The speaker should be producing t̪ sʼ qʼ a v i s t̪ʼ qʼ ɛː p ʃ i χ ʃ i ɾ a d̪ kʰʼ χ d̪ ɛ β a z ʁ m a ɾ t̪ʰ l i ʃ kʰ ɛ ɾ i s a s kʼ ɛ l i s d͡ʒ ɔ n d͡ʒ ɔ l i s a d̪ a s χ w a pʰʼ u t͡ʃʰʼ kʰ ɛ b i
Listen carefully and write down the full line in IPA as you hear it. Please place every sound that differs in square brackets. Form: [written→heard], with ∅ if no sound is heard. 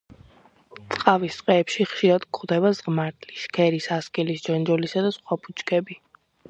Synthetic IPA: t̪ sʼ qʼ a v i s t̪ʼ qʼ ɛː p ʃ i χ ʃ i ɾ a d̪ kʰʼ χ d̪ ɛ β a z ʁ m a ɾ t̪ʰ l i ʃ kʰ ɛ ɾ i s a s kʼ ɛ l i s d͡ʒ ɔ n d͡ʒ ɔ l i s a d̪ a s χ w a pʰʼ u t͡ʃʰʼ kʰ ɛ b i